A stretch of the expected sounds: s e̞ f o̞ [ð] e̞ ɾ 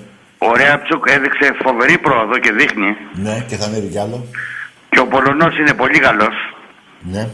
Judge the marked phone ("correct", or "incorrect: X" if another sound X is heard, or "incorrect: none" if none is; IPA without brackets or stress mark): incorrect: v